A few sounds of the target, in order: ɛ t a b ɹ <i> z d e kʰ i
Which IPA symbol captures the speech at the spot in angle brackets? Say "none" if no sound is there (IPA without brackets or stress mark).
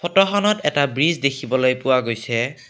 i